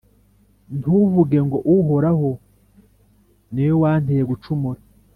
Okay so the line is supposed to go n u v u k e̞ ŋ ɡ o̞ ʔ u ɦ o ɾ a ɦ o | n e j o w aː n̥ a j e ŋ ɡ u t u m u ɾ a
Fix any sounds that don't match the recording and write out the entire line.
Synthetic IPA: n u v u ɡ e̞ ŋ ɡ o̞ ʔ u ɦ o ɾ a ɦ o | n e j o w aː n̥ e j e ɡ u t͡ʃ u m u ɾ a